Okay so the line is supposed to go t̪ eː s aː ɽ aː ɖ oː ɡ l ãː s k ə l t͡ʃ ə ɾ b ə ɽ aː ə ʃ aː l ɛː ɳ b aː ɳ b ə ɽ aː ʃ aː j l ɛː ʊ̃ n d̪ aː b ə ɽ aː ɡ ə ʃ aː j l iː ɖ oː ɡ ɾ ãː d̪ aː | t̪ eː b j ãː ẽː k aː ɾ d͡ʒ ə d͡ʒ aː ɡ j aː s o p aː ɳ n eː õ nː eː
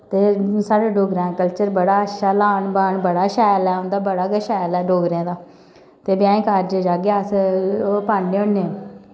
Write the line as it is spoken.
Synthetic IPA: t̪ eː s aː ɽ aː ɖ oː ɡ ɾ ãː k ə l t͡ʃ ə ɾ b ə ɽ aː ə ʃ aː l aː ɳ b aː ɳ b ə ɽ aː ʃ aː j l ɛː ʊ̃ n d̪ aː b ə ɽ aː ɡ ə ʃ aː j l ɛː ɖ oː ɡ ɾ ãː d̪ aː | t̪ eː b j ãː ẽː k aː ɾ d͡ʒ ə d͡ʒ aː ɡ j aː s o p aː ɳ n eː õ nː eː